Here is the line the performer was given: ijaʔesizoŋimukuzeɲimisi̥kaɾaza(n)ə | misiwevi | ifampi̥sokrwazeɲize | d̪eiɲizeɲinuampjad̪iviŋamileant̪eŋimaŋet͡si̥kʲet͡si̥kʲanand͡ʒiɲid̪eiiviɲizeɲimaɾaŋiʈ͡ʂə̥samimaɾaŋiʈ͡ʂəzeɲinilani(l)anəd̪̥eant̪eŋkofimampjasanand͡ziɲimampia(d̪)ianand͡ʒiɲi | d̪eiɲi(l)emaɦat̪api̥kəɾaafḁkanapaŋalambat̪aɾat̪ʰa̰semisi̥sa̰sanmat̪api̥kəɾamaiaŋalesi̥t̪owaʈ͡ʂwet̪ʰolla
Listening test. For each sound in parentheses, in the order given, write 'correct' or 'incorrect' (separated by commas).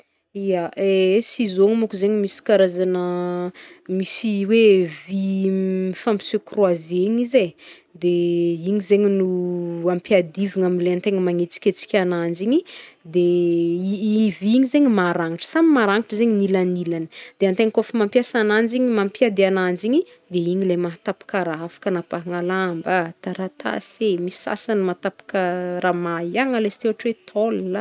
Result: correct, correct, correct, correct